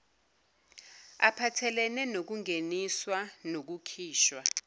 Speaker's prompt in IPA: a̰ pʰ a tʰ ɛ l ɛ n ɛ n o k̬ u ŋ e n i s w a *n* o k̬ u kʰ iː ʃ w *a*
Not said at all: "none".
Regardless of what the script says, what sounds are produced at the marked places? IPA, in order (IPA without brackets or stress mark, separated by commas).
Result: n, a